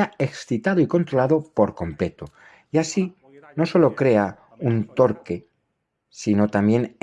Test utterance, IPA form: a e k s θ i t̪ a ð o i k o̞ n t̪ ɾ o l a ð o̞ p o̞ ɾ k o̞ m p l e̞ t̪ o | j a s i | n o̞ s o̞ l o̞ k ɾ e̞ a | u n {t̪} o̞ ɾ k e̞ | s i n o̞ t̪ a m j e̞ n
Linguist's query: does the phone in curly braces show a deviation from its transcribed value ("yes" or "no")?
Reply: no